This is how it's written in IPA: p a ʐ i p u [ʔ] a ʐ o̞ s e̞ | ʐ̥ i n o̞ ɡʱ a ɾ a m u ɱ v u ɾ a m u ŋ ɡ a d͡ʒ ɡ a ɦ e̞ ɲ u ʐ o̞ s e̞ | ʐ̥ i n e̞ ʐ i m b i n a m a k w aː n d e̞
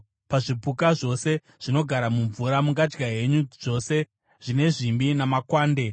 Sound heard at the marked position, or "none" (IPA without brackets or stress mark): k